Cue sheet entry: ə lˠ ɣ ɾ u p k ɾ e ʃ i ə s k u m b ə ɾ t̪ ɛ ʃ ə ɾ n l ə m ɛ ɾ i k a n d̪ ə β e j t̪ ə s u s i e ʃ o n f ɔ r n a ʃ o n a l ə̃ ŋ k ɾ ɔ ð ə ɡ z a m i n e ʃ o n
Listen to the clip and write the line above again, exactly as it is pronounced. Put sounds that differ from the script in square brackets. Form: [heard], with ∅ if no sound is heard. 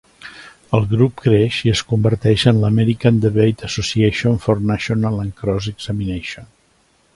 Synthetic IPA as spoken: ə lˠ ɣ ɾ u p k ɾ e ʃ i ə s k u m b ə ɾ t̪ ɛ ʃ ə [∅] n l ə m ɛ ɾ i k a n d̪ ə β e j t̪ ə s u s i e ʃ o n f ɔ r n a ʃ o n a l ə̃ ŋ k ɾ ɔ [z] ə ɡ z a m i n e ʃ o n